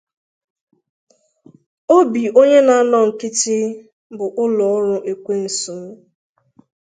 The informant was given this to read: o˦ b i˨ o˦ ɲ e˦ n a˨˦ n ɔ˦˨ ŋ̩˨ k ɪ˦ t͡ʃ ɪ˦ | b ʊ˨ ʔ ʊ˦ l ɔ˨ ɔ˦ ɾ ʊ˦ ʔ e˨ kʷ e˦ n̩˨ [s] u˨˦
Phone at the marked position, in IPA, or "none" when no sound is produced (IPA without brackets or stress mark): s